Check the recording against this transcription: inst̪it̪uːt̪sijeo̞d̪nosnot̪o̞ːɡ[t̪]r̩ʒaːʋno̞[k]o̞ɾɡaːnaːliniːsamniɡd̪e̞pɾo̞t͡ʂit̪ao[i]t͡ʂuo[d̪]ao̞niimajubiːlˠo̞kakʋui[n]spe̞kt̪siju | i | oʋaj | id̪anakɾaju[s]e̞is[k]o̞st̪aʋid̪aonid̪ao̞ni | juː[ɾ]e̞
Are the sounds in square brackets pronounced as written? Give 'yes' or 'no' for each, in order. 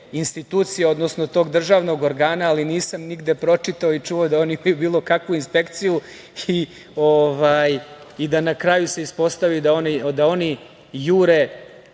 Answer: no, no, yes, yes, yes, yes, no, yes

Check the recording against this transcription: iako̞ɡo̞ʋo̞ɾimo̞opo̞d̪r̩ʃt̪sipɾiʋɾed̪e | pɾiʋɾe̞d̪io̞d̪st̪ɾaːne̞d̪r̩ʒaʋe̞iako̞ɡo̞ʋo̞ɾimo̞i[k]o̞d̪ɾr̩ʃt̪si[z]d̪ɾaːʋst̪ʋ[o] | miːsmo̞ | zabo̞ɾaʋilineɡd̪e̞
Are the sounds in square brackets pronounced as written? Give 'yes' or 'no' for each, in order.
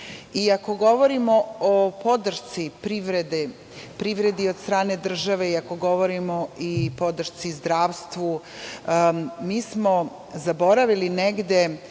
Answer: no, yes, no

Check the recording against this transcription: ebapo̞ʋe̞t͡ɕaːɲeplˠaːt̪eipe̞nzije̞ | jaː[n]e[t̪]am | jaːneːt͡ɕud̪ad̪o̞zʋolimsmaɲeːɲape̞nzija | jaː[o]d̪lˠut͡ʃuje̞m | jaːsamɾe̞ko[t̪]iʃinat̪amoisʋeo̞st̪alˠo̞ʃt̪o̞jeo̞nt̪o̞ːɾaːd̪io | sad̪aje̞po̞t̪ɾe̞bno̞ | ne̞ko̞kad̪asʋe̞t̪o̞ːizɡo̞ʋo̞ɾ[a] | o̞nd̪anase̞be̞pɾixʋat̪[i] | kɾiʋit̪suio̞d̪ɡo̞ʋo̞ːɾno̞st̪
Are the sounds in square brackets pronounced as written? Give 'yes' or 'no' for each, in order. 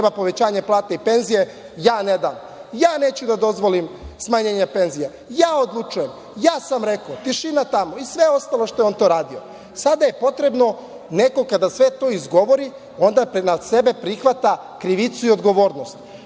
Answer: yes, no, yes, yes, no, no

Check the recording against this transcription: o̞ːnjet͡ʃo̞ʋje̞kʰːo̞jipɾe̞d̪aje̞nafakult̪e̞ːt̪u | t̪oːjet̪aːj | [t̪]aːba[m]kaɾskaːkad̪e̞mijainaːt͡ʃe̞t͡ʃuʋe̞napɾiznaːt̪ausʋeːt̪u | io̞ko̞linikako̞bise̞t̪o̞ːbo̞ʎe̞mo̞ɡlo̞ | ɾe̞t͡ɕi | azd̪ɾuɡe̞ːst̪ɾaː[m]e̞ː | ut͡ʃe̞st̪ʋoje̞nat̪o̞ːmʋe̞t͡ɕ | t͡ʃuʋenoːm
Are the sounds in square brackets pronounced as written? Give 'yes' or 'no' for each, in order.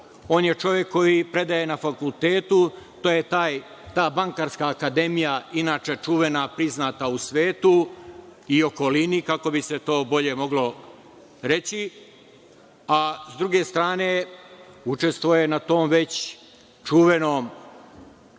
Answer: yes, no, no

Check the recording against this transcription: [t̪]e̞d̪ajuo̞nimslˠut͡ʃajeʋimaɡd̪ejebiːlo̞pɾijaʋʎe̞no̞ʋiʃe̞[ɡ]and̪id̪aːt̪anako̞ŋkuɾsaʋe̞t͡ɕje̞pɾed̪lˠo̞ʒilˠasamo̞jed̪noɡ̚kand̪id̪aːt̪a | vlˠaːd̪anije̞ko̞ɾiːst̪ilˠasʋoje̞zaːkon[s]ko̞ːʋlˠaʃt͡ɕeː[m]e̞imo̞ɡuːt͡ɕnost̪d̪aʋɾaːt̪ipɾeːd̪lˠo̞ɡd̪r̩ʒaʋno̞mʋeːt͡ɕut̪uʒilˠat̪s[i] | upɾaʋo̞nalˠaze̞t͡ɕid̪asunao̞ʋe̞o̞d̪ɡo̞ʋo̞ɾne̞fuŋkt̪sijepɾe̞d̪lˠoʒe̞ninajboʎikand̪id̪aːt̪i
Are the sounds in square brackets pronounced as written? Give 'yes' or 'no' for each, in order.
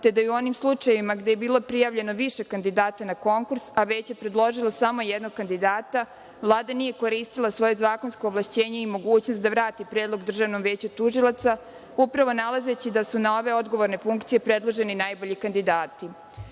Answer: yes, no, yes, no, no

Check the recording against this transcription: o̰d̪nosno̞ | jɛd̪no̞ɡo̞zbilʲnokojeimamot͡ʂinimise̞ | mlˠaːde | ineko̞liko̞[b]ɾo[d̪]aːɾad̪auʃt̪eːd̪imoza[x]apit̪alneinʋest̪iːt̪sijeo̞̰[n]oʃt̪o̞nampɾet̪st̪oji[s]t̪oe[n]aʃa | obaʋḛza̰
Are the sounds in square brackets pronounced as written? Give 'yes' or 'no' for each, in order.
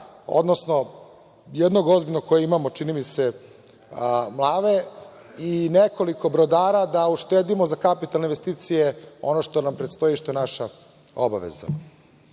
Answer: yes, yes, no, yes, no, yes

